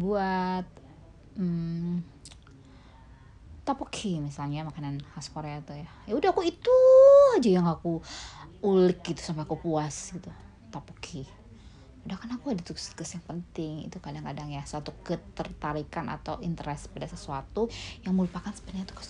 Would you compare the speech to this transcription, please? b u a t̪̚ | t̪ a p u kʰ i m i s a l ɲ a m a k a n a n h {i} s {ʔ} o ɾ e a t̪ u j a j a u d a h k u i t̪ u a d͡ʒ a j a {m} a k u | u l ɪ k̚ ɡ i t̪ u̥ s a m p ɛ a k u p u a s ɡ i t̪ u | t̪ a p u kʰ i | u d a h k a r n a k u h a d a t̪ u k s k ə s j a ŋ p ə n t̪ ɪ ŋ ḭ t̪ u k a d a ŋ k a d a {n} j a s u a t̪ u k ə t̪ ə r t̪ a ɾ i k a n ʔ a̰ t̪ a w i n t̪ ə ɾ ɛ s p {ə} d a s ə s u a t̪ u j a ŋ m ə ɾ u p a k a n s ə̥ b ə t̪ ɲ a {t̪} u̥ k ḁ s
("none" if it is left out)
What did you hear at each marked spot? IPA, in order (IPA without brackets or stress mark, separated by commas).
a, k, ŋ, ŋ, a, t̪